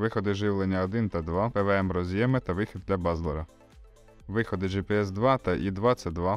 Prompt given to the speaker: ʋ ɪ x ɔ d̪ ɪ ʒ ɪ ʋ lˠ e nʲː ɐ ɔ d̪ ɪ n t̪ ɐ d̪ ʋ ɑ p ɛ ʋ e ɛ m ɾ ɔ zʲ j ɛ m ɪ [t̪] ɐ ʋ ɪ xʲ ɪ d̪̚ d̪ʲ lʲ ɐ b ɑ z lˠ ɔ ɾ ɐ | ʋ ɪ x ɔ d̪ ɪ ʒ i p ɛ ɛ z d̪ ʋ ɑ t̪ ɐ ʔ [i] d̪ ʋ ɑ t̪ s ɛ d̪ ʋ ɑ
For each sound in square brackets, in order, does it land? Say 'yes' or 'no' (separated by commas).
yes, yes